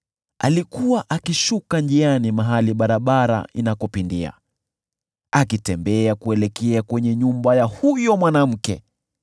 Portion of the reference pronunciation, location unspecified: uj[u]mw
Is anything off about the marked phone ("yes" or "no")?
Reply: yes